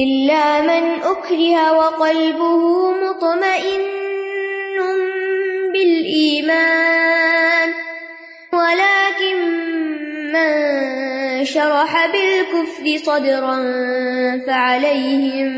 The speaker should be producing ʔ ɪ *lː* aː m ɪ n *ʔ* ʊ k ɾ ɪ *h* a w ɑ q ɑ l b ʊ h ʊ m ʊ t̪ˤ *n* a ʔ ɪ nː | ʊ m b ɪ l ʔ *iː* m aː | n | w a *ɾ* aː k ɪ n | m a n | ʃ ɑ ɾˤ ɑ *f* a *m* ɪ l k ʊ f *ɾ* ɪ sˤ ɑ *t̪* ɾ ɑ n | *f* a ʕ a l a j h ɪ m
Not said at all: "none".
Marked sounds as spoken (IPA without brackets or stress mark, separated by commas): lː, ʔ, h, m, iː, l, ħ, b, ɾ, d̪, f